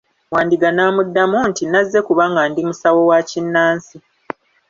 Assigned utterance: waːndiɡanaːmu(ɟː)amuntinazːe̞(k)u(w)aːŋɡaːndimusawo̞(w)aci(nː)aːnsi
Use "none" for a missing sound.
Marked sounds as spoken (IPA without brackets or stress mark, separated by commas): dː, k, β, w, nː